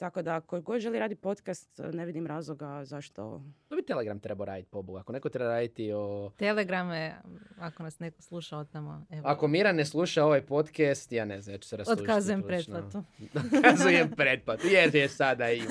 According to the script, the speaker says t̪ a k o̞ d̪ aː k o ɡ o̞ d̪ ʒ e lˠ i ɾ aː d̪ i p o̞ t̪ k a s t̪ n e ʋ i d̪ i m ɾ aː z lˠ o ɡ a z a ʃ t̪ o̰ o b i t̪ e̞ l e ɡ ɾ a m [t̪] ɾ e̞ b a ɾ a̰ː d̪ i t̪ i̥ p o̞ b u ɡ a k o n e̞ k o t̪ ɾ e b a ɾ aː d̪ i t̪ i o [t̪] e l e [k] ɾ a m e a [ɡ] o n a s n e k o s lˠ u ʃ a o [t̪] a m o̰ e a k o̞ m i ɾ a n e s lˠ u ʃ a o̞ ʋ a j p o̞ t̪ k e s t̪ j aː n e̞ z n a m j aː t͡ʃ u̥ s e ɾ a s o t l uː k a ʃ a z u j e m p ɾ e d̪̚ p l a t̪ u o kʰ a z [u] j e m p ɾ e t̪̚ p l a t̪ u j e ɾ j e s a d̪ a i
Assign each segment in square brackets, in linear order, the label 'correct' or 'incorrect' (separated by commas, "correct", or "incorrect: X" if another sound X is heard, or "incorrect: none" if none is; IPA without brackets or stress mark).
correct, correct, incorrect: ɡ, incorrect: k, correct, correct